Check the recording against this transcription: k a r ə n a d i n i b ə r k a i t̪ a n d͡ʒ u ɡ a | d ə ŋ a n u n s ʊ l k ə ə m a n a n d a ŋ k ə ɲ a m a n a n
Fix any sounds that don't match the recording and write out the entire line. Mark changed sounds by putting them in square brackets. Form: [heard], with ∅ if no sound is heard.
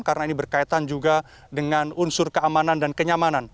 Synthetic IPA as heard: k a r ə n a [∅] i n i b ə r k a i t̪ a n d͡ʒ u ɡ a | d ə ŋ a n u n s ʊ [r] k ə [a] m a n a n d a [n] k ə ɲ a m a n a n